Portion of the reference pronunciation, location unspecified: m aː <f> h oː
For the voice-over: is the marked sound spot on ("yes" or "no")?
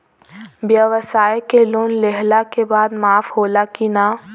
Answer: yes